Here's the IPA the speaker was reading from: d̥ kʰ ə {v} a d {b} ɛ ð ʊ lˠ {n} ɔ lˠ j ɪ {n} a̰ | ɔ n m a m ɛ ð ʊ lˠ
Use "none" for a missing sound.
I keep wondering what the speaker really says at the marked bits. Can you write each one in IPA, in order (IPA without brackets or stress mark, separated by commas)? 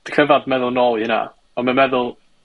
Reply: v, m, n, n